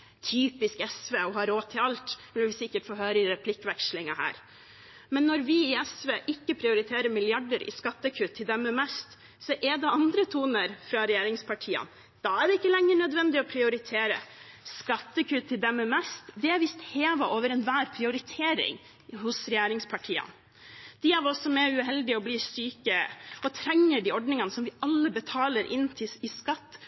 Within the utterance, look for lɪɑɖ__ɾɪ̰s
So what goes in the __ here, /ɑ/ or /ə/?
ə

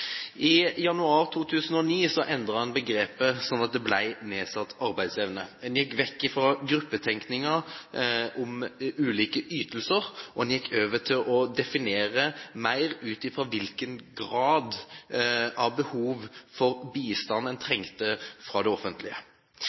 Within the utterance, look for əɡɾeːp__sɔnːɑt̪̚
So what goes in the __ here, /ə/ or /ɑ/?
ə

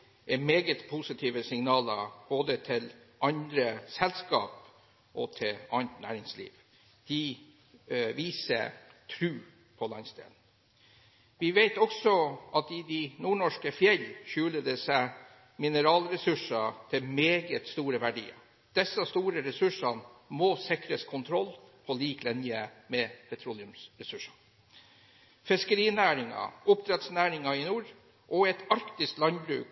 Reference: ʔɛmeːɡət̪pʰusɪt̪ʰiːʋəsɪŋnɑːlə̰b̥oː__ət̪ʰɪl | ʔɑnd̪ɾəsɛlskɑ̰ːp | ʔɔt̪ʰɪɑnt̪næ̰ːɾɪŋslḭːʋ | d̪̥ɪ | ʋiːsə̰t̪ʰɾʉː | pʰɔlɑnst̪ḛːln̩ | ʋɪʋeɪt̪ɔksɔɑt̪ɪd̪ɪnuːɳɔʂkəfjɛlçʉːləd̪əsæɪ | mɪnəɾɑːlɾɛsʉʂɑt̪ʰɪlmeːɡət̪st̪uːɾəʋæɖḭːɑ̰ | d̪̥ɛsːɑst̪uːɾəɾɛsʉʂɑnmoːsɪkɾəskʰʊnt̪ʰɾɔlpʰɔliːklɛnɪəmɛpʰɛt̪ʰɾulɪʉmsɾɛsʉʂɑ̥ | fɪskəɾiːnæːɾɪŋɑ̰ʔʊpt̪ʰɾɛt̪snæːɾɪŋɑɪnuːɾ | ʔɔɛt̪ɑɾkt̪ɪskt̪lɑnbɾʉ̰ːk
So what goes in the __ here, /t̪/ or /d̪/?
d̪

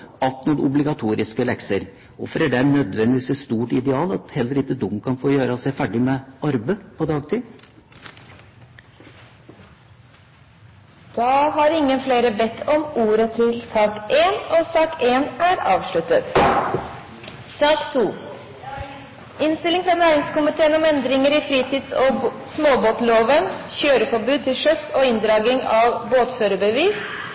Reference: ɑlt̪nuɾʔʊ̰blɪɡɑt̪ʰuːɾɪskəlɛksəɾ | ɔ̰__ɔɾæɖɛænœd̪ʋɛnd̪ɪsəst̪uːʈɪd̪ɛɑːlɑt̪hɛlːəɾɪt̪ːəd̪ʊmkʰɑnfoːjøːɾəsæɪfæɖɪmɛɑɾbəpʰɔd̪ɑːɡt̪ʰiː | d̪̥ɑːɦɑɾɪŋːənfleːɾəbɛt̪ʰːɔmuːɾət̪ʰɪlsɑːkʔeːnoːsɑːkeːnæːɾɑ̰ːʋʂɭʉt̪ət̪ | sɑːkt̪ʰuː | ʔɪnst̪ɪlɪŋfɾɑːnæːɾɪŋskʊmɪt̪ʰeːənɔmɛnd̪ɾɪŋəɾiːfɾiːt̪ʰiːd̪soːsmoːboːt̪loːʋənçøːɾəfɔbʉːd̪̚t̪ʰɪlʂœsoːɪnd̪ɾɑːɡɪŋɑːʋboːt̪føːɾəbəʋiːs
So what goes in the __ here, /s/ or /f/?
f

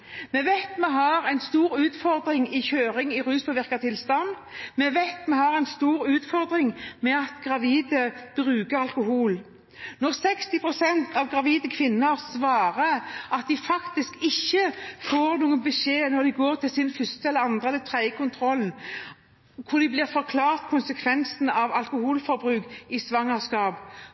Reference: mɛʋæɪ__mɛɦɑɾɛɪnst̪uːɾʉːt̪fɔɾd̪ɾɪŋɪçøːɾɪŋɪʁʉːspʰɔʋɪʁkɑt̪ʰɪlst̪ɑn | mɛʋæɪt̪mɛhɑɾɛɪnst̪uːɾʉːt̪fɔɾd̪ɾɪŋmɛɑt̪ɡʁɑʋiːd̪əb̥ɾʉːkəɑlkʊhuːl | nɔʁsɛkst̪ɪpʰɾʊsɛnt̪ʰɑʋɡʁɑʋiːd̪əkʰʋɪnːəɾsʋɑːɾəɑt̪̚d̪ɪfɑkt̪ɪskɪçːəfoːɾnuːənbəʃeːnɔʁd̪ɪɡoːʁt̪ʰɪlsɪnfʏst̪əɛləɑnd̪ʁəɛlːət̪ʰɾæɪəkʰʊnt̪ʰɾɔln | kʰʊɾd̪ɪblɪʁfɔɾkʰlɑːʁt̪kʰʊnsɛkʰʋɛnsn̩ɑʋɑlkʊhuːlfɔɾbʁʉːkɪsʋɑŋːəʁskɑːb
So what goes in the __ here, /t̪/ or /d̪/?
t̪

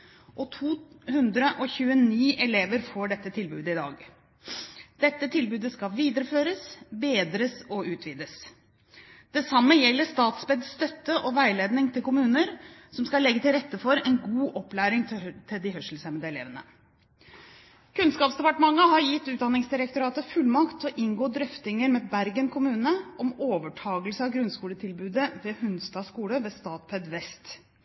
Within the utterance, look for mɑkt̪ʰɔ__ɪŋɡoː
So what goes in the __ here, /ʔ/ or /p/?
ʔ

